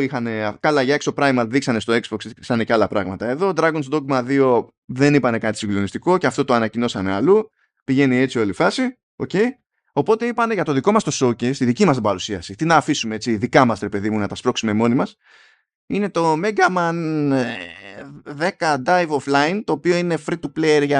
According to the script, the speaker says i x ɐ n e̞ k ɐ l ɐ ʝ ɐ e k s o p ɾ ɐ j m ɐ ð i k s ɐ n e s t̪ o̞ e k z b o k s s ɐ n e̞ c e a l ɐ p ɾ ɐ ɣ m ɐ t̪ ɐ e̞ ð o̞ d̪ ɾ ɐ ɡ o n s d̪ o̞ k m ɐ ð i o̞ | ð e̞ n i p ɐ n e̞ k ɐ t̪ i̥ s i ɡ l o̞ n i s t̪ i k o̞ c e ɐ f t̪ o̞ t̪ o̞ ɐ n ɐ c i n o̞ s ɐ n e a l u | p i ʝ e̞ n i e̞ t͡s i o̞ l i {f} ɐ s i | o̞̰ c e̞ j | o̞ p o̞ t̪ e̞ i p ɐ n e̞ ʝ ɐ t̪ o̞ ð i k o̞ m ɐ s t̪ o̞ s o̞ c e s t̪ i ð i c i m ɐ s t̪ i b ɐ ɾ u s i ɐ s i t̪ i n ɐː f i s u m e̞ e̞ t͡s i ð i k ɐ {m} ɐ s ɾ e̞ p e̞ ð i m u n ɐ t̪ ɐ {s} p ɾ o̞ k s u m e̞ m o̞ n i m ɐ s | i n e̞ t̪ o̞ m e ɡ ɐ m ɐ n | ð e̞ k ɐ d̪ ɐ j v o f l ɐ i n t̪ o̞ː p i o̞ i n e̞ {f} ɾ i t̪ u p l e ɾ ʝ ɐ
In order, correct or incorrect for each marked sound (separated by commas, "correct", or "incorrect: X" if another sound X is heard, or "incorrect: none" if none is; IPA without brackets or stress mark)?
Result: correct, correct, correct, correct